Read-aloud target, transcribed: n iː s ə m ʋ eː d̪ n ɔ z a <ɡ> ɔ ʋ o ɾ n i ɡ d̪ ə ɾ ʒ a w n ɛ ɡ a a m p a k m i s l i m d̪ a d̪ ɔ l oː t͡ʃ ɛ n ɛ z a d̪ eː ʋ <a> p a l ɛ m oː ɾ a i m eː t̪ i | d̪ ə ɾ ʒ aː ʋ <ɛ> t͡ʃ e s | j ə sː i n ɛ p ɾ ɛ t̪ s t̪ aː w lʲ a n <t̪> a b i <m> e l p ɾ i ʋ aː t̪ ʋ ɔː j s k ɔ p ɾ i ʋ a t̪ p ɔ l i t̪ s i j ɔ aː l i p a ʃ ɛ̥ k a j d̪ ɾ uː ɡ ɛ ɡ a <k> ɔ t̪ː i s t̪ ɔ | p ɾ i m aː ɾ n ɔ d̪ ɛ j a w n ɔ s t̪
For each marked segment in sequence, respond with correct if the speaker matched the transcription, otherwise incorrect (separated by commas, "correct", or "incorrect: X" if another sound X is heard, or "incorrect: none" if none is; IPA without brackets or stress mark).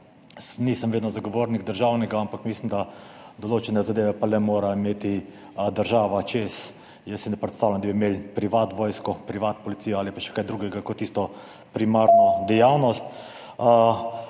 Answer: correct, incorrect: ɛ, incorrect: a, incorrect: d̪, correct, correct